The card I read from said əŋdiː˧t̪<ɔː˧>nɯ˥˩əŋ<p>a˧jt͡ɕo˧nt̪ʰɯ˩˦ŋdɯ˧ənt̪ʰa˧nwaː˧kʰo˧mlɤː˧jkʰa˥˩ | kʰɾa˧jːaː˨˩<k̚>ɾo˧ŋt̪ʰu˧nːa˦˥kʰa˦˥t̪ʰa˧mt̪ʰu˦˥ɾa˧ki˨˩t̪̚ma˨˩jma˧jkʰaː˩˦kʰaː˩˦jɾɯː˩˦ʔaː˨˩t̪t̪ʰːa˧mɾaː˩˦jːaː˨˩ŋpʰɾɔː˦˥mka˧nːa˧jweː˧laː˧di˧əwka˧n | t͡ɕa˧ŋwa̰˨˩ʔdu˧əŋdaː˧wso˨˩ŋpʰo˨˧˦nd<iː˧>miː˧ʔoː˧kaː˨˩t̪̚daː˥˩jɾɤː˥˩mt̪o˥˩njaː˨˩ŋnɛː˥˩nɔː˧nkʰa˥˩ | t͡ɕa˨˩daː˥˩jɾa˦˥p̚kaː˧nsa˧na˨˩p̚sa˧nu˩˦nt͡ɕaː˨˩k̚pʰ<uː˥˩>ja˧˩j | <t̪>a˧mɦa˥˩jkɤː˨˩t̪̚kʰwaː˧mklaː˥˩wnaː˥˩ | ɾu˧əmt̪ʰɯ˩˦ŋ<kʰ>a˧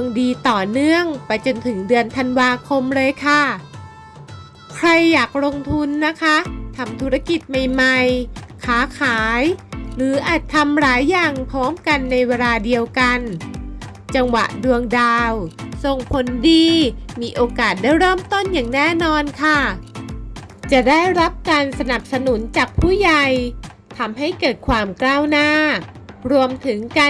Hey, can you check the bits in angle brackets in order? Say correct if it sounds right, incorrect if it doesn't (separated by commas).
incorrect, correct, correct, correct, correct, incorrect, incorrect